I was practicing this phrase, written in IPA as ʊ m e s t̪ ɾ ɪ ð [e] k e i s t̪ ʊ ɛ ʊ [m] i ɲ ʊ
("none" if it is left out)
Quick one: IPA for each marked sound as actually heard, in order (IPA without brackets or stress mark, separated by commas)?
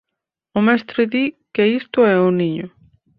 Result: i, n